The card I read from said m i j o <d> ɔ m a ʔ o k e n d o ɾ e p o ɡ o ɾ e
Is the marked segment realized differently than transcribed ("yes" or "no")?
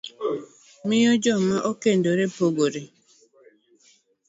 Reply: yes